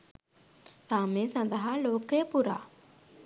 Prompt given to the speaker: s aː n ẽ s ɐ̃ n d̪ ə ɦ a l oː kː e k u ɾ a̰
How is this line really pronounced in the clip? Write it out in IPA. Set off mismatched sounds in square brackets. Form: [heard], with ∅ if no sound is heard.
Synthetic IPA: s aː [m] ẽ s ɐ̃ n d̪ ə ɦ a l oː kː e [p] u ɾ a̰